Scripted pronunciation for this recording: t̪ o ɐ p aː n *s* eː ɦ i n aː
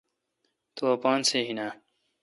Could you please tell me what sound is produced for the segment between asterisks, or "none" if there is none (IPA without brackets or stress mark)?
s